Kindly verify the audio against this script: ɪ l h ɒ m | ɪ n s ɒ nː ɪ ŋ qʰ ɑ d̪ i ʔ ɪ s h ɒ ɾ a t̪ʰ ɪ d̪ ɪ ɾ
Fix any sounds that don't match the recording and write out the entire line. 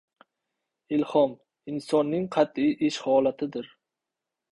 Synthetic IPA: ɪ l h ɒ m | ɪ n s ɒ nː ɪ ŋ qʰ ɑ t̪ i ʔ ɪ ʃ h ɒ l a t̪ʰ ɪ d̪ ɪ ɾ